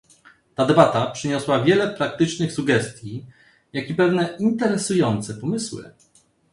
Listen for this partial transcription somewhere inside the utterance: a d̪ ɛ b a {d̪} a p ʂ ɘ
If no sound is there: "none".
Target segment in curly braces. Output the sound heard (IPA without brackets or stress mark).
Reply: t̪